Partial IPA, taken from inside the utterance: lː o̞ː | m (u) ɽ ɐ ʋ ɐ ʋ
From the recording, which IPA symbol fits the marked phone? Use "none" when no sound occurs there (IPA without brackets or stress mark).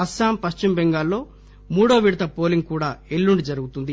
uː